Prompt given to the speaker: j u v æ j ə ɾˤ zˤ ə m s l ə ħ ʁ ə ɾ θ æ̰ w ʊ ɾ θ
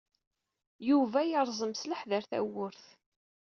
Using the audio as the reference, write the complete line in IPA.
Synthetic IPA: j u v æ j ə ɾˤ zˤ ə m s l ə ħ ð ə ɾ θ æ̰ w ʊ ɾ θ